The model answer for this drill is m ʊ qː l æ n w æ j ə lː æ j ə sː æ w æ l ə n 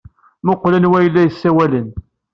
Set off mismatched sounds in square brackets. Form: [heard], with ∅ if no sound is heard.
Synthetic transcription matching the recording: m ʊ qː l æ n w æ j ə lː æ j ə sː æ w æ l ə n